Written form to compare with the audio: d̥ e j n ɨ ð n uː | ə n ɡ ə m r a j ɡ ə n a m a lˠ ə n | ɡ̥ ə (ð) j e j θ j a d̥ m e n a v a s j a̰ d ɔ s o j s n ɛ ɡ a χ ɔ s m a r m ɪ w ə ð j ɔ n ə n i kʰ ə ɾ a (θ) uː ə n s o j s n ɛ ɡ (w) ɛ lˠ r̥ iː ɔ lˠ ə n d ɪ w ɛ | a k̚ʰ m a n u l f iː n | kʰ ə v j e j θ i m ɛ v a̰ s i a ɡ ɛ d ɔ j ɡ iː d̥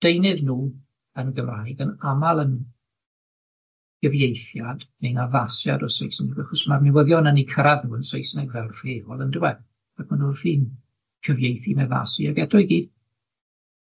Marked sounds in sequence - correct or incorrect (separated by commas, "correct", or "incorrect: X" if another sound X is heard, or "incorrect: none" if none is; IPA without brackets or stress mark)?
incorrect: v, incorrect: ð, incorrect: v